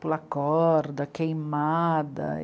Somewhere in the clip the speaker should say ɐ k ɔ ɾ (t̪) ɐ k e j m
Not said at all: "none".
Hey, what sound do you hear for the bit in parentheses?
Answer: d̪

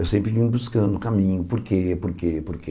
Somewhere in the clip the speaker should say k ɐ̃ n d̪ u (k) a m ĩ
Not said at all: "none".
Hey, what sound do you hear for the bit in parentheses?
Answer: k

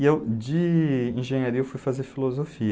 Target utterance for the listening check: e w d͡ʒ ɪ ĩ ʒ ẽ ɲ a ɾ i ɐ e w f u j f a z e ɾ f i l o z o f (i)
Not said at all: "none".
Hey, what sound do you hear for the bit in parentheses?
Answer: i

